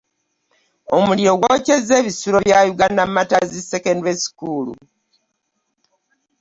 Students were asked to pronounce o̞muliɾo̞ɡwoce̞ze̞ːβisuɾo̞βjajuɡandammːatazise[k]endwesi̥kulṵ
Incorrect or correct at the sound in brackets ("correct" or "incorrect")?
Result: correct